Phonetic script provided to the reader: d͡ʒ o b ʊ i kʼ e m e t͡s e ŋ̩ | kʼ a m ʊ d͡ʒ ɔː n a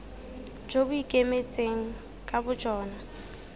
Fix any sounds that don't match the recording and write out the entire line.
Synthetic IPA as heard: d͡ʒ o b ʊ i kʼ e m e t͡sʼ e ŋ̩ | kʼ a b ʊ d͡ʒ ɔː n a